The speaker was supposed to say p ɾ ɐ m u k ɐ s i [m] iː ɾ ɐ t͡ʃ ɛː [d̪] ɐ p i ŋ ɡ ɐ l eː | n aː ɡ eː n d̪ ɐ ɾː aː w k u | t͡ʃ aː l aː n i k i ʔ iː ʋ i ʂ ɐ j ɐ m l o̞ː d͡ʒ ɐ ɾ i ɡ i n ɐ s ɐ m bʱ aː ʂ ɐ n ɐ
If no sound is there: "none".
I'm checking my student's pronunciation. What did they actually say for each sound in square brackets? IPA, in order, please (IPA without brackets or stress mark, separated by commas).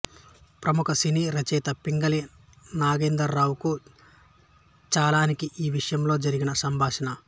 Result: n, t̪